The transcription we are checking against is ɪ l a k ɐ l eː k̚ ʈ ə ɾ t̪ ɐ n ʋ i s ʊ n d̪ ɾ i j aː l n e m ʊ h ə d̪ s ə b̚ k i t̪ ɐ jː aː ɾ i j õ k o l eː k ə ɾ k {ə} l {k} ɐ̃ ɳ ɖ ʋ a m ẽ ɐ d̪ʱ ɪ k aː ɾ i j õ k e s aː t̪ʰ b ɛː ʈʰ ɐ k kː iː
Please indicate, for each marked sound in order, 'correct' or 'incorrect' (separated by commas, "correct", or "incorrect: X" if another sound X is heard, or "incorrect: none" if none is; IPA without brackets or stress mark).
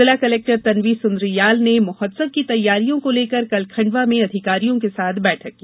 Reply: incorrect: ɐ, incorrect: kʰ